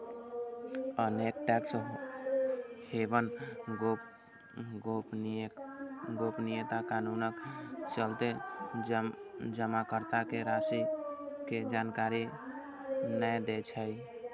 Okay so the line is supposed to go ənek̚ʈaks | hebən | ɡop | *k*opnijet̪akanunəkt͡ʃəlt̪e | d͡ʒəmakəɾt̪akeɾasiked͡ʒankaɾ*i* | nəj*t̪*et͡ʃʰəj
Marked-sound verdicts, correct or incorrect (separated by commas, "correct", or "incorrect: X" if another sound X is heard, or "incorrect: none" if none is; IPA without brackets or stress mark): incorrect: ɡ, correct, incorrect: d̪